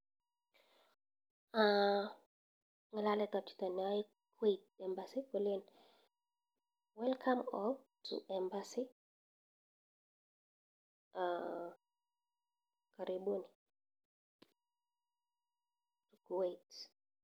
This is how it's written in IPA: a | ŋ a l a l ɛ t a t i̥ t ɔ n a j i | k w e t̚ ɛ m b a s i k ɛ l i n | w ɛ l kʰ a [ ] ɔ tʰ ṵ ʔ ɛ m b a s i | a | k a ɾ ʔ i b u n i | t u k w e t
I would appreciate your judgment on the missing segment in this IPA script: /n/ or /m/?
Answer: m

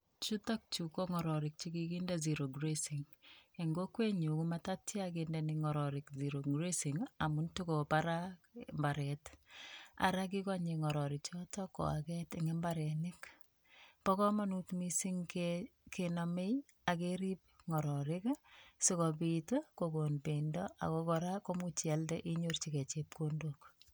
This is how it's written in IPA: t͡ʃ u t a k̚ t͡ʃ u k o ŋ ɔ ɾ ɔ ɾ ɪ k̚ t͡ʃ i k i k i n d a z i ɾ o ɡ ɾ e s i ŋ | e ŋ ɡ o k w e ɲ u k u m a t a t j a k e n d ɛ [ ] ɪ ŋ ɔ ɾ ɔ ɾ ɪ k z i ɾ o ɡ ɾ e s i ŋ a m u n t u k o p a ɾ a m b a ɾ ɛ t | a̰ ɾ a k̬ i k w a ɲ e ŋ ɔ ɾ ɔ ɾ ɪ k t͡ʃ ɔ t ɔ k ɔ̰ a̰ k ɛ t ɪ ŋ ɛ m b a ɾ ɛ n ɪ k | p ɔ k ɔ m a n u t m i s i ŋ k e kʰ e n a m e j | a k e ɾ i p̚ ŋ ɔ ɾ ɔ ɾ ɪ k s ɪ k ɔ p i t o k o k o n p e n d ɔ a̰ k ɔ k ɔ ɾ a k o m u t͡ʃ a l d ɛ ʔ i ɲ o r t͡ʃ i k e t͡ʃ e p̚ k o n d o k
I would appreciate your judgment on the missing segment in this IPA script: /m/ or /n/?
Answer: n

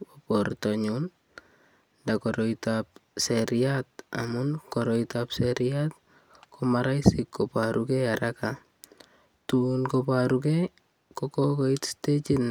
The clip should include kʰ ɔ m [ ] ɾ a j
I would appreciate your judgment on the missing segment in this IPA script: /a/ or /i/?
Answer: a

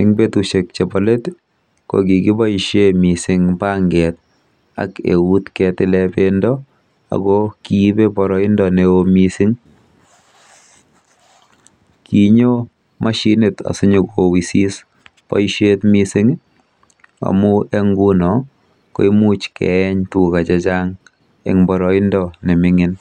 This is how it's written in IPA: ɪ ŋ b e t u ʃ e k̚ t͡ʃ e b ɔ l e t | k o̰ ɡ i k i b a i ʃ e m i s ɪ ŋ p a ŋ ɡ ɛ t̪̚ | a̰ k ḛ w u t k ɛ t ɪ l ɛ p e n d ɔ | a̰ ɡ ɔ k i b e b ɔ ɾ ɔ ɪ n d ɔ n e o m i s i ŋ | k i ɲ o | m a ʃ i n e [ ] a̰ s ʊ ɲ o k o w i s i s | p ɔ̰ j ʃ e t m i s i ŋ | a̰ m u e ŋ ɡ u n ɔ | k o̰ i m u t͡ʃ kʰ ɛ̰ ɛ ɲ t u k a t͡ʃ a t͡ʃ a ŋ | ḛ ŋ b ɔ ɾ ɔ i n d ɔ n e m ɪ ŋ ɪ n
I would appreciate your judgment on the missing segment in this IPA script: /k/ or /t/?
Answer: t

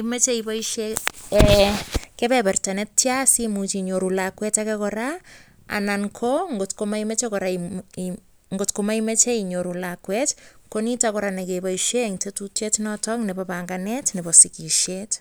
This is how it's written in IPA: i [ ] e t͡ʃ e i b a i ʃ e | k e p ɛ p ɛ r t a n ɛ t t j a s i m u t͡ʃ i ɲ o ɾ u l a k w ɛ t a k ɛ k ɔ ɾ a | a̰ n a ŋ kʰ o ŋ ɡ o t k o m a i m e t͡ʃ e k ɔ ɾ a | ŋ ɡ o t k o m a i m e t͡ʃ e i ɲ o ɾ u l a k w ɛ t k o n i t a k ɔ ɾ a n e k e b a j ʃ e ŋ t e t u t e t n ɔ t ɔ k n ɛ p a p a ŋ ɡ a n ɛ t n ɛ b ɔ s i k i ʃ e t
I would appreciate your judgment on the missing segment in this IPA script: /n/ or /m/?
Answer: m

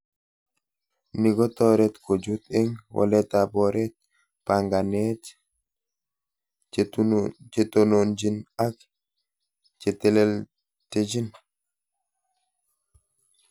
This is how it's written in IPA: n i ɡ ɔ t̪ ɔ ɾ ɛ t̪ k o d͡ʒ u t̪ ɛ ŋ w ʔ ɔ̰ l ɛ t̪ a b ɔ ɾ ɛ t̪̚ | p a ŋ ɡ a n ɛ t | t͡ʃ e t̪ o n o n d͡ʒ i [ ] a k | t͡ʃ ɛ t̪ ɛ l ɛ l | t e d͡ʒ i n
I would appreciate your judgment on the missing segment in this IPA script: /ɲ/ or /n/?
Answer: n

